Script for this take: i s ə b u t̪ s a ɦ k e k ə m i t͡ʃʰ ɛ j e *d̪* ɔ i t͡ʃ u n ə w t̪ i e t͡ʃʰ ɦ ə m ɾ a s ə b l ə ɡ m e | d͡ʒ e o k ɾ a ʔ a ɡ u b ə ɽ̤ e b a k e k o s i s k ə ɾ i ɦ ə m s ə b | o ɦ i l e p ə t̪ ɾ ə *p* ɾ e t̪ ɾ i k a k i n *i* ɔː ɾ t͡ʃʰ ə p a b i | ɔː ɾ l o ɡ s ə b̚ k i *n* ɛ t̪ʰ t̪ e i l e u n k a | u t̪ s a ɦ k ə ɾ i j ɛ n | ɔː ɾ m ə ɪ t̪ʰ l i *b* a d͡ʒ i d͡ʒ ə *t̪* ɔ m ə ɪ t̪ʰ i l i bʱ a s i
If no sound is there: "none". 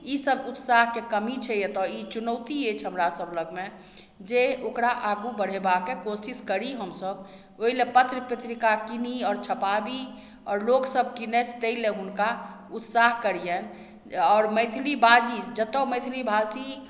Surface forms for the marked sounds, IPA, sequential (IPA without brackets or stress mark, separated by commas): t̪, p, i, n, b, t̪